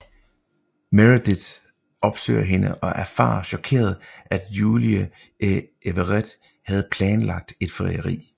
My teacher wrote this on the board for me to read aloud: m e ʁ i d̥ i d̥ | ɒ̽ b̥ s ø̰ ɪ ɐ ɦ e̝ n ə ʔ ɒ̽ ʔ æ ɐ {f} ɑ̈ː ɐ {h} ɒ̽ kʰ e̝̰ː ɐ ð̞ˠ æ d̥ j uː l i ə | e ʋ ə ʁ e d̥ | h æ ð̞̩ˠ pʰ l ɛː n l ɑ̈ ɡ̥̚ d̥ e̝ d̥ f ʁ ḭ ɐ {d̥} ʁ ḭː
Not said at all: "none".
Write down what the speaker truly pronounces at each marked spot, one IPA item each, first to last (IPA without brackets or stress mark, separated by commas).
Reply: f, ɕ, none